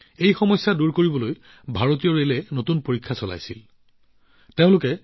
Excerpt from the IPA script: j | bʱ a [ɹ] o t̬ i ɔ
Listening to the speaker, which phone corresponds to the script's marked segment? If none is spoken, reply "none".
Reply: ɹ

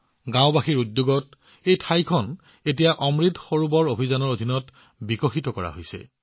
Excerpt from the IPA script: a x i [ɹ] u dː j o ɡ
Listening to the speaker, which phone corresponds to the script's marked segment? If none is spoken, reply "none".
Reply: ɹ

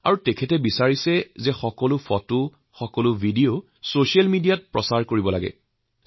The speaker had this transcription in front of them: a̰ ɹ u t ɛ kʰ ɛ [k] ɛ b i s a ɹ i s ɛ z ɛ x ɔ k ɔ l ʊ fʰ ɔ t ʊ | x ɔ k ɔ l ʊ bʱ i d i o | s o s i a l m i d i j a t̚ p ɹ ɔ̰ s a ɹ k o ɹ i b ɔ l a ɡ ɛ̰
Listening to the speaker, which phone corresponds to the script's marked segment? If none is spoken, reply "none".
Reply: t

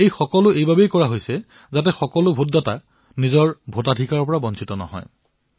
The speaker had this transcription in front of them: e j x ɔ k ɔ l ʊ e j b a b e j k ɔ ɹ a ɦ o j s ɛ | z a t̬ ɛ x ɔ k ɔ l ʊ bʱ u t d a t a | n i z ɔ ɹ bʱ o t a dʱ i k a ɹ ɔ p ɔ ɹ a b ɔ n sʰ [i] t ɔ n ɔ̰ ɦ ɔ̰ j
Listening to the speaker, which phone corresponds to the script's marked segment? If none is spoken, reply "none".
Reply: i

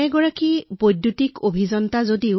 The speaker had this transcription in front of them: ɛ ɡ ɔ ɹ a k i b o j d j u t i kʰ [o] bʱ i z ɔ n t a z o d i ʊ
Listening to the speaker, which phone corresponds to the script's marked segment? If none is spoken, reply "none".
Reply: o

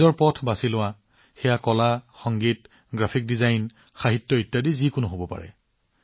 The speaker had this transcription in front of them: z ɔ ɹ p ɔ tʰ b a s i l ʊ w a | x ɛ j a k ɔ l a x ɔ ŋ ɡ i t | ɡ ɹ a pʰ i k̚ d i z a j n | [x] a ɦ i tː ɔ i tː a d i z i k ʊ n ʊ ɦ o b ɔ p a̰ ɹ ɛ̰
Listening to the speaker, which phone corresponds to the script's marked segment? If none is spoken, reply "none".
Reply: x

